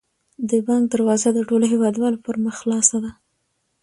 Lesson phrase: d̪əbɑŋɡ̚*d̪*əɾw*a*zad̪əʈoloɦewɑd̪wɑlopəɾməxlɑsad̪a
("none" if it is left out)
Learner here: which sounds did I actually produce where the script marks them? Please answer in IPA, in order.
d̪, ɑ

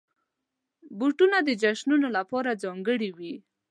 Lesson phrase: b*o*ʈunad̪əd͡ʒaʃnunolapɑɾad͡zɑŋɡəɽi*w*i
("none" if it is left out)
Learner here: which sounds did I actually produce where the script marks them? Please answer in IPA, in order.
u, w

